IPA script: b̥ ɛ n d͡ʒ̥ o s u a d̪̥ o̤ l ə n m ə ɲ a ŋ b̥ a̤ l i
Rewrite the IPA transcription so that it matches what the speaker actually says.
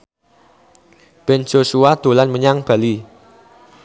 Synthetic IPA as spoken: b̥ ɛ n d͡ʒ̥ o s u a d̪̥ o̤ l a n m ə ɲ a ŋ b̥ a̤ l i